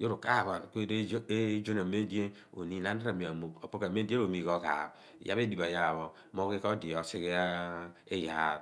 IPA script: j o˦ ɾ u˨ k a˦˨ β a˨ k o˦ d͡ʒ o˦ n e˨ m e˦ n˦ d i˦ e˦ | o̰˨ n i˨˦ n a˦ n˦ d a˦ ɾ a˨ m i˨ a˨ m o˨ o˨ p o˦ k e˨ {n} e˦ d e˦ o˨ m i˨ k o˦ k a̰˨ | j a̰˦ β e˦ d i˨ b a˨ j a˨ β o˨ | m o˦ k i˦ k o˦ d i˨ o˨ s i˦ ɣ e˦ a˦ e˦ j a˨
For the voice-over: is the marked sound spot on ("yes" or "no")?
no